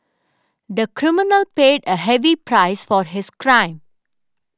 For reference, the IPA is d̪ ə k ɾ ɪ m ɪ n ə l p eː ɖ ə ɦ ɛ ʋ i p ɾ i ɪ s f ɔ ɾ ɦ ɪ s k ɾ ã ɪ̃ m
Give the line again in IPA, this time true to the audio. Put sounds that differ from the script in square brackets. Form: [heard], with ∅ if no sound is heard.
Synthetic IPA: d̪ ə k ɾ ɪ m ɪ n ə l p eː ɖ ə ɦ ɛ ʋ i p ɾ [a] ɪ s f ɔ ɾ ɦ ɪ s k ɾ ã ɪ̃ m